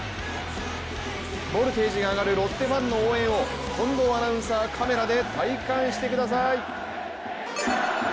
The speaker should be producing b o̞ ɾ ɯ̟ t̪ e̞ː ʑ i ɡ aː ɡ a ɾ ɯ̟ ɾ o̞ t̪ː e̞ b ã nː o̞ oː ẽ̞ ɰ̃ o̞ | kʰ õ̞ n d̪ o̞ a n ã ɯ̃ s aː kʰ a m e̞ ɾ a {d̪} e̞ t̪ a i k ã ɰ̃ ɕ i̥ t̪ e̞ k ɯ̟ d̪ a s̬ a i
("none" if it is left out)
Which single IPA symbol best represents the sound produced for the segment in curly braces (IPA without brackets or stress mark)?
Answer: d̪